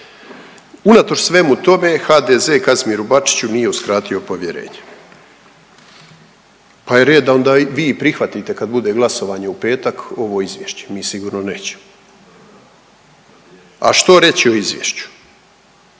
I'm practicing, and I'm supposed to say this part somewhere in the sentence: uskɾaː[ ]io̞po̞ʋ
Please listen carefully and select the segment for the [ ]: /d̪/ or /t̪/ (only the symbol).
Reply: t̪